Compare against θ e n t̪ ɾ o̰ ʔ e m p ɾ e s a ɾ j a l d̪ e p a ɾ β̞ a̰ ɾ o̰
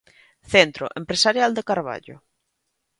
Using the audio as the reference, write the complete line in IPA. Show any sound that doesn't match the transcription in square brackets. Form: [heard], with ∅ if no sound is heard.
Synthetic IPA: θ e n t̪ ɾ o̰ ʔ e m p ɾ e s a ɾ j a l d̪ e [k] a ɾ β̞ a̰ [ʎ] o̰